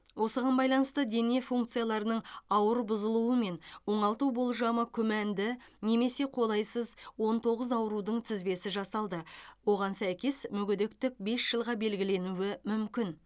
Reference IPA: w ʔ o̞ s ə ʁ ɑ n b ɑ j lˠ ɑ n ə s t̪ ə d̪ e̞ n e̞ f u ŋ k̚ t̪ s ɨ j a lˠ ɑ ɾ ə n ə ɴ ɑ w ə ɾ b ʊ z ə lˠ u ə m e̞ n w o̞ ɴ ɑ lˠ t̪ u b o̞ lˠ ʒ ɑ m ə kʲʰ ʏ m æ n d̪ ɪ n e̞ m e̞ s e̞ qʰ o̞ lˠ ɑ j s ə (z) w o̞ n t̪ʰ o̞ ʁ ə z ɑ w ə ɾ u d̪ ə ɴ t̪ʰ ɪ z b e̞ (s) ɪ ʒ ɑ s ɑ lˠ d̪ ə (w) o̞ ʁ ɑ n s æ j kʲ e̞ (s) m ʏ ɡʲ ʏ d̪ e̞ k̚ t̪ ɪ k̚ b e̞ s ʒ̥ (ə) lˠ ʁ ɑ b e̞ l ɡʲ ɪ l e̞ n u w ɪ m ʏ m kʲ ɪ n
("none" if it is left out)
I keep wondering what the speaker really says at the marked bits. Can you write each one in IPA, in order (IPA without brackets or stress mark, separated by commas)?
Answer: z, s, w, s, ə